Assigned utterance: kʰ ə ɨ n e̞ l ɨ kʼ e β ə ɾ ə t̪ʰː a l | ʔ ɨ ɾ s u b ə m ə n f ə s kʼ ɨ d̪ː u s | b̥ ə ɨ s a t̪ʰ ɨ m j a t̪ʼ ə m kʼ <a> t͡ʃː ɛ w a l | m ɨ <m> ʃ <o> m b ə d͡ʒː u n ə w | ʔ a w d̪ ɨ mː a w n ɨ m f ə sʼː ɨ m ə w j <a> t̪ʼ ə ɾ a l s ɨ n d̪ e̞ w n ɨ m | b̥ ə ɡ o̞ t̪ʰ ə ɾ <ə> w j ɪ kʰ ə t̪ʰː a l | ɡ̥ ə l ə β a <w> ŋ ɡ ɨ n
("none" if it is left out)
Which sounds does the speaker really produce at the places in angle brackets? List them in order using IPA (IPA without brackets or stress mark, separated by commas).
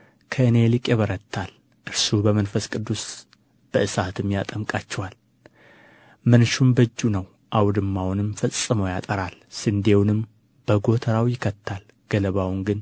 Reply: a, n, u, a, a, w